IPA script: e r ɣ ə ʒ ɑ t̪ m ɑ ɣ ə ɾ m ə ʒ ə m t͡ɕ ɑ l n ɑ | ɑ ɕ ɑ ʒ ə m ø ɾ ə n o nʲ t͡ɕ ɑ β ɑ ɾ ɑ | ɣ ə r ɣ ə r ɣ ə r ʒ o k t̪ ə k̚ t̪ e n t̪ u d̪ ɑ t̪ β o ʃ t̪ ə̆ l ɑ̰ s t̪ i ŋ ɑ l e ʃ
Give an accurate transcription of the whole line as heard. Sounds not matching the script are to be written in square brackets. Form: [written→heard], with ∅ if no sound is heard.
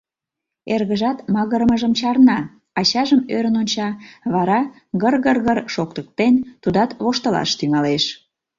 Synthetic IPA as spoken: e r ɣ ə ʒ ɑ t̪ m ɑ ɣ ə ɾ m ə ʒ ə m t͡ɕ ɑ [l→r] n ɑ | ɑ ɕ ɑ ʒ ə m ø ɾ ə n o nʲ t͡ɕ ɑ β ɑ ɾ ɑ | ɣ ə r ɣ ə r ɣ ə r [ʒ→ʃ] o k t̪ ə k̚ t̪ e n t̪ u d̪ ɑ t̪ β o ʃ t̪ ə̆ l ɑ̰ [s→ʃ] t̪ [i→y] ŋ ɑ l e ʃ